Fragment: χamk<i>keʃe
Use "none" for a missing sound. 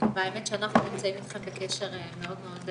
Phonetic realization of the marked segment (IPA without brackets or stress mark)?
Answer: e